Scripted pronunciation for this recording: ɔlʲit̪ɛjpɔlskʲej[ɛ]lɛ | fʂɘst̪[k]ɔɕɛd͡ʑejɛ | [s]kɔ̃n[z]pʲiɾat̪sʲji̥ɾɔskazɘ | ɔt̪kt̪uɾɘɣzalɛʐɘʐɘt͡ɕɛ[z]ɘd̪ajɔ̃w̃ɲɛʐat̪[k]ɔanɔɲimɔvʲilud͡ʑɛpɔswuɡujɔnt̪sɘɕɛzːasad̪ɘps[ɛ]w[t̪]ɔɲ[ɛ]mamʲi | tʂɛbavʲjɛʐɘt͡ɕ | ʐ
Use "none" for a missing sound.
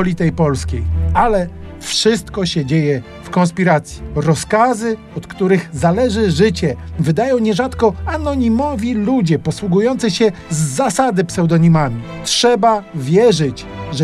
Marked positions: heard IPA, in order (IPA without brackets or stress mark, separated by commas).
a, k, f, s, v, k, ɛ, d̪, i